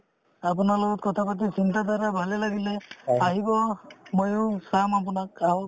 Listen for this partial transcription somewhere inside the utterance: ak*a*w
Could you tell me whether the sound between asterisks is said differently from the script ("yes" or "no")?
no